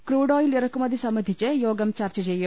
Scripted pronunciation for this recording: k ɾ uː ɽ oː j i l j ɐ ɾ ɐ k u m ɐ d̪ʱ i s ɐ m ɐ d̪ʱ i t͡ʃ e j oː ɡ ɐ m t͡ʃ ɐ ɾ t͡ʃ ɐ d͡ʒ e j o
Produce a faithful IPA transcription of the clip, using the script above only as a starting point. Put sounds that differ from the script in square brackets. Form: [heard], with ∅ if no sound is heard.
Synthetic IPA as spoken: k ɾ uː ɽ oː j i l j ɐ ɾ ɐ k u m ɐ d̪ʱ i s ɐ m ɐ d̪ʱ i t͡ʃ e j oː ɡ ɐ m t͡ʃ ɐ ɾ t͡ʃ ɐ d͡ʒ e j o

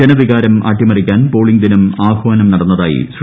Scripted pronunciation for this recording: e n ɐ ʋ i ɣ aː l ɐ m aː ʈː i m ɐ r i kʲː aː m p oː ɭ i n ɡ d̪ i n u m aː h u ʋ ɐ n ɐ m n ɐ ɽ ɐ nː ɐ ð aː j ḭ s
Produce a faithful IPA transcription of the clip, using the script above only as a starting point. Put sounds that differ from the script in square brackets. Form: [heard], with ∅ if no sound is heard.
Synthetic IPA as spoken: e n ɐ ʋ i ɣ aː [ɾ] ɐ m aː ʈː i m ɐ r i kʲː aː [n] p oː ɭ i [ŋ] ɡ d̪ i n u m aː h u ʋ ɐ n ɐ m n ɐ ɽ ɐ nː ɐ ð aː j ḭ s

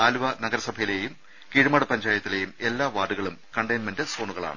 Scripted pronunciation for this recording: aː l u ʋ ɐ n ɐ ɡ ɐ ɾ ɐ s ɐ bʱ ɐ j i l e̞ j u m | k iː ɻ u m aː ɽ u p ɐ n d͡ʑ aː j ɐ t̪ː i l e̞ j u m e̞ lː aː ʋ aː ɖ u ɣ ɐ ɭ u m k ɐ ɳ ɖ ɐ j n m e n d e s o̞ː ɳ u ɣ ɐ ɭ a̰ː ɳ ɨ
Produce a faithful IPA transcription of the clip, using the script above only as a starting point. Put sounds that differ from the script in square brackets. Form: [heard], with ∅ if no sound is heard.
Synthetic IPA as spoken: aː l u ʋ ɐ n ɐ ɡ ɐ ɾ ɐ s ɐ bʱ ɐ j i l e̞ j u m | k iː ɻ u m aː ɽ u p ɐ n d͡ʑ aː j ɐ t̪ː i l e̞ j u m e̞ lː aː ʋ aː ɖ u ɣ ɐ ɭ u m k ɐ ɳ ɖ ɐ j n m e n d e s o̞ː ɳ u ɣ ɐ ɭ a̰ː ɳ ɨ

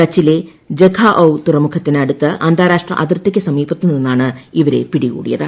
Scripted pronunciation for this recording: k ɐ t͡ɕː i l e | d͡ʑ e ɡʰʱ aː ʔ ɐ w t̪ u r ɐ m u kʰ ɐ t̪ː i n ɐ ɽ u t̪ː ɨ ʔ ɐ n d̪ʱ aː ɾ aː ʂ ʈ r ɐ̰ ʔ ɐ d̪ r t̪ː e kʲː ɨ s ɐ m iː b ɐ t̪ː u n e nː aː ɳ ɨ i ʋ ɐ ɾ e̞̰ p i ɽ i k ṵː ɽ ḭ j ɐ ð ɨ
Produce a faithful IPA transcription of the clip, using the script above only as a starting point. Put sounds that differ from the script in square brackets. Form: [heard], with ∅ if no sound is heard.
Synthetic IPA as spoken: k ɐ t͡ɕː i l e | d͡ʑ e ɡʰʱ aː ʔ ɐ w t̪ u r ɐ m u kʰ ɐ t̪ː i n ɐ ɽ u t̪ː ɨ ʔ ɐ n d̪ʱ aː ɾ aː ʂ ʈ r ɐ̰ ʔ ɐ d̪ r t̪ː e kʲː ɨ s ɐ m iː b ɐ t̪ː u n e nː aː ɳ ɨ i ʋ ɐ ɾ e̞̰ p i ɽ i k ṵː ɽ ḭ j ɐ ð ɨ

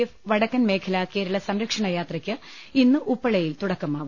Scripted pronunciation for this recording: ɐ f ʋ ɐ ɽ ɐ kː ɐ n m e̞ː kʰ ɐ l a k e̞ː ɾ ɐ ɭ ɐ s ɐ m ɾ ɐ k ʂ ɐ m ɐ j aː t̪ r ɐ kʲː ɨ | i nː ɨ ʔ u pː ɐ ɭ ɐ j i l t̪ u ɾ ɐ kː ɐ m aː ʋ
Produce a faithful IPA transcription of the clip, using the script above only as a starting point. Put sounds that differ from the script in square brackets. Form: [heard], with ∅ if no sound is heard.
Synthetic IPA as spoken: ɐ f ʋ ɐ ɽ ɐ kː ɐ n m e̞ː kʰ ɐ l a k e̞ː ɾ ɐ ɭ ɐ s ɐ m ɾ ɐ k ʂ ɐ [ɳ] ɐ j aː t̪ r ɐ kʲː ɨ | i nː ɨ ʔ u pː ɐ ɭ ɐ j i l t̪ u [ɽ] ɐ kː ɐ m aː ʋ

